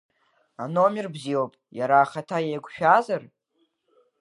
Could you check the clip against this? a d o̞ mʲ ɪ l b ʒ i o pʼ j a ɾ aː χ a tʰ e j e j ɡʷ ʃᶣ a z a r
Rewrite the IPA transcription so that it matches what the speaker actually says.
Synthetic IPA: a n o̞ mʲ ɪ r b z i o pʼ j a ɾ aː χ a tʰ a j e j ɡʷ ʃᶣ a z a r